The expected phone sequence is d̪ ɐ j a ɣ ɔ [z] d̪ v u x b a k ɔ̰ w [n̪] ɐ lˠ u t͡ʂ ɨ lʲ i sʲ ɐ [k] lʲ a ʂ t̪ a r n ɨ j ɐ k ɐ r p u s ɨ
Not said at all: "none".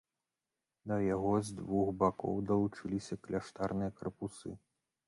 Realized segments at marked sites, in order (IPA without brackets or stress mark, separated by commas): z, d̪, k